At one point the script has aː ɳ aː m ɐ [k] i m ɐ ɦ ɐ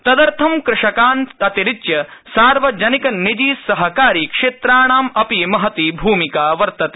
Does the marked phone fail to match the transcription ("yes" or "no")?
yes